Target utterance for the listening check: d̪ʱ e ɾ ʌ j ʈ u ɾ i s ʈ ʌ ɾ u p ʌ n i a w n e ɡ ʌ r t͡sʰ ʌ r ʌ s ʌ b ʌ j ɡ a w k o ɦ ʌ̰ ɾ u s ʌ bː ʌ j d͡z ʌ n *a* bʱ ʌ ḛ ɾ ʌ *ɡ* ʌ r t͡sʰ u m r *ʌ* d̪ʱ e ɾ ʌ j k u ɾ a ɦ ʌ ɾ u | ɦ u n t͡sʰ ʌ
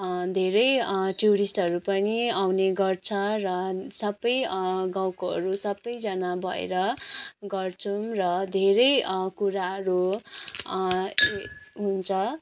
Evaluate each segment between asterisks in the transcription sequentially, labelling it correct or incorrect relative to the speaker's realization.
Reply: correct, correct, correct

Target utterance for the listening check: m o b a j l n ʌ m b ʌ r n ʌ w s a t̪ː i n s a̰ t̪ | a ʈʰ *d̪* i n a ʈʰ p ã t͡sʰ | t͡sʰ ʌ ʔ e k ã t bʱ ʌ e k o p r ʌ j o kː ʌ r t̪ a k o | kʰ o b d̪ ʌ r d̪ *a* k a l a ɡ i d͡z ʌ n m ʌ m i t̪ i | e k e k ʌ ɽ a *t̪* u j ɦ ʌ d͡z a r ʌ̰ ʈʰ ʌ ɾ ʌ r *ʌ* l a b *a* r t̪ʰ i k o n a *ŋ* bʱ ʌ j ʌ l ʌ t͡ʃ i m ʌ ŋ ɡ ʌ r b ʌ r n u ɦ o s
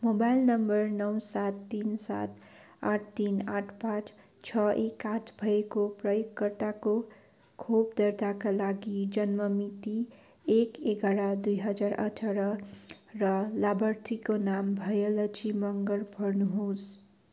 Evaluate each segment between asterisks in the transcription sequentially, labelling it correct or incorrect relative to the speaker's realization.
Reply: incorrect: t̪, correct, incorrect: d̪, correct, incorrect: ʌ, incorrect: m

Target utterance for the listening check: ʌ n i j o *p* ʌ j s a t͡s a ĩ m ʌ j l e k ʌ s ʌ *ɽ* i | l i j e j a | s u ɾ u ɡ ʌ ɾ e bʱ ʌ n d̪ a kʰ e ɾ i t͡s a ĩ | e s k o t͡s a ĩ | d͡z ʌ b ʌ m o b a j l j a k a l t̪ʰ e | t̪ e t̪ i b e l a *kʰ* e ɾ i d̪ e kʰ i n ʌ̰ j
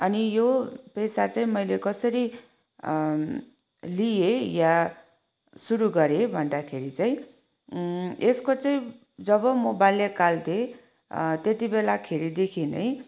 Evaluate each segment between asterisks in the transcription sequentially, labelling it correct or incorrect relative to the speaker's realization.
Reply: correct, incorrect: ɾ, correct

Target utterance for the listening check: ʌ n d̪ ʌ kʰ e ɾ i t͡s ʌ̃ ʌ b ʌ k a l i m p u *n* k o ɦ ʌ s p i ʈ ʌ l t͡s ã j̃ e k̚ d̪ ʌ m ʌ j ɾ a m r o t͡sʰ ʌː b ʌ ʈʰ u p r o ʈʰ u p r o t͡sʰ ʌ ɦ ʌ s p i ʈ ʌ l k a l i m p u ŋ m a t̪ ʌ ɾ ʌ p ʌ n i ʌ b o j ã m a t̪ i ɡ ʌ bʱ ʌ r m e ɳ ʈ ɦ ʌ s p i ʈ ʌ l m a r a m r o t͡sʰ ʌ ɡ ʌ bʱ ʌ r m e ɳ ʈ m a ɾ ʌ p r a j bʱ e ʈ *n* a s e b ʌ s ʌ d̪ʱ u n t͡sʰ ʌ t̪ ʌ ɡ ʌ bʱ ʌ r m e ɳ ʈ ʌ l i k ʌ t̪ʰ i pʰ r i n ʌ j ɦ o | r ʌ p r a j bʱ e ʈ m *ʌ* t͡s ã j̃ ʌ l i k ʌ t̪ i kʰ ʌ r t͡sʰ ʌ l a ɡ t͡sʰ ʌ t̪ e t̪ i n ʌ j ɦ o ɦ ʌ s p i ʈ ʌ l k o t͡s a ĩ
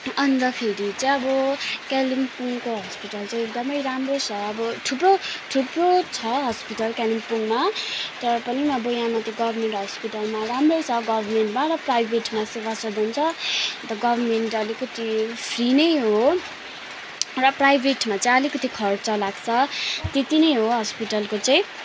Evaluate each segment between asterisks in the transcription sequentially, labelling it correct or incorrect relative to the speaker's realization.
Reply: incorrect: ŋ, incorrect: m, incorrect: a

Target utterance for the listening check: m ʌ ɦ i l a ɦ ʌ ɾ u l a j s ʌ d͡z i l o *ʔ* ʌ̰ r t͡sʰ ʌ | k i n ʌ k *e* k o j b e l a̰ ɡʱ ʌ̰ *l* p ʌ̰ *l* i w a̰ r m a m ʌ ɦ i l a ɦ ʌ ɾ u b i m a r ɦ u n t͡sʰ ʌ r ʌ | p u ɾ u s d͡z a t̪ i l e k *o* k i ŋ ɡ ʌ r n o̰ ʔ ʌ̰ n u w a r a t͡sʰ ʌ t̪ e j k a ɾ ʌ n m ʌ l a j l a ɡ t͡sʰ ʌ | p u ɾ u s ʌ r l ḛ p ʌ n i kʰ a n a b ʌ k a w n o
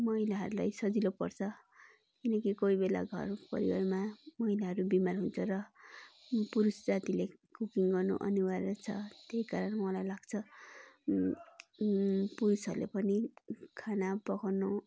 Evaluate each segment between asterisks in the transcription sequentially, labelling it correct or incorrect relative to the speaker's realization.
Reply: incorrect: p, incorrect: i, incorrect: r, incorrect: ɾ, incorrect: u

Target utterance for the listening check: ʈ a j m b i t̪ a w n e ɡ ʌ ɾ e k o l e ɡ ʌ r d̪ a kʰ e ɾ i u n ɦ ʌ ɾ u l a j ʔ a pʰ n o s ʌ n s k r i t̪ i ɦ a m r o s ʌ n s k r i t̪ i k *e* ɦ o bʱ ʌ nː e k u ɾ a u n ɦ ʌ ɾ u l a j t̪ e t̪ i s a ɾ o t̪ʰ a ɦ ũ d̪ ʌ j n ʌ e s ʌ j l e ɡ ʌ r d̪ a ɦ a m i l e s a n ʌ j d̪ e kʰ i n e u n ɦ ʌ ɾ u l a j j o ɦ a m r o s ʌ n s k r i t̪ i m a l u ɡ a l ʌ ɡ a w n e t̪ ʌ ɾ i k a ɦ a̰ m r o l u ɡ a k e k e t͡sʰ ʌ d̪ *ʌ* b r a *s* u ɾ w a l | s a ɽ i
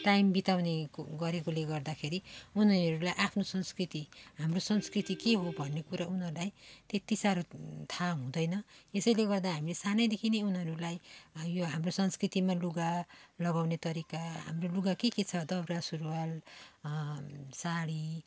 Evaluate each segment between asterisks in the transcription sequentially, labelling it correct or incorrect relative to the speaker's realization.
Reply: correct, correct, correct

